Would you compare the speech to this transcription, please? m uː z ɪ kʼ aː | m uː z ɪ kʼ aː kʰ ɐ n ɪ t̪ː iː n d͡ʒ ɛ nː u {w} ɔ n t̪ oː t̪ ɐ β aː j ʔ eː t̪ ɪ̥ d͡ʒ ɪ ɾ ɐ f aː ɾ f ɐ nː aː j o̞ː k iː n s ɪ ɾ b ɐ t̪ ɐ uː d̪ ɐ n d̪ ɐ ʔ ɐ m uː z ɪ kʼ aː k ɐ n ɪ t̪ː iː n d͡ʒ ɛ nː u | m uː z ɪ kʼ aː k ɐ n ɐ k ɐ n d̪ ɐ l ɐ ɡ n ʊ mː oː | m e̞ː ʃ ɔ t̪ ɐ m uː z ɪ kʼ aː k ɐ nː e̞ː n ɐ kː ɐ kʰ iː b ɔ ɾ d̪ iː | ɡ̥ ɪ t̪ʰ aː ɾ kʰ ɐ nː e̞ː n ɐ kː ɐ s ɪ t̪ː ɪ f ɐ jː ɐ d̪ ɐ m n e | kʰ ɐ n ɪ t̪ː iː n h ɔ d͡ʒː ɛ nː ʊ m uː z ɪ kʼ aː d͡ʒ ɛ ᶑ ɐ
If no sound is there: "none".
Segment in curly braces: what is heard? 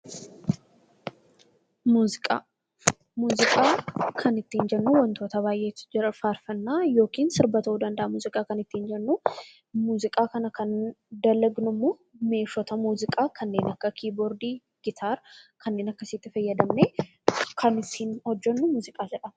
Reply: w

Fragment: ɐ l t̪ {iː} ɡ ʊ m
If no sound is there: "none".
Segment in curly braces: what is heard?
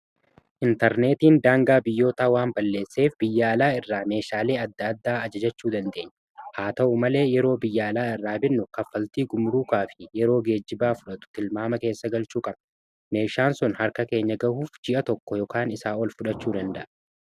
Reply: iː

